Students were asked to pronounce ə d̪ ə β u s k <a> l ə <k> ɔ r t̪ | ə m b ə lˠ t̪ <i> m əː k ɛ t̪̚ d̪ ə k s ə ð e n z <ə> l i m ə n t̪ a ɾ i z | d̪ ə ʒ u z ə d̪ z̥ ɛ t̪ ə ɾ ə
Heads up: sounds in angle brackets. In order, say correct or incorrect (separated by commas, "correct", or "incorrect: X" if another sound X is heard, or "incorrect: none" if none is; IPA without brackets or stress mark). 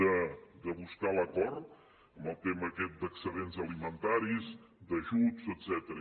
correct, correct, incorrect: e, correct